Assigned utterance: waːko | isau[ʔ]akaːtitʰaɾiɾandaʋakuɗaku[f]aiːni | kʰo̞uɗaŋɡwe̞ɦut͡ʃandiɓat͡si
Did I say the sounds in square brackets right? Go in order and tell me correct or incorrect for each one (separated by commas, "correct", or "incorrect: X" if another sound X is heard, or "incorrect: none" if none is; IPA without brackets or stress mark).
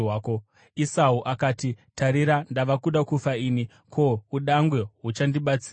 correct, correct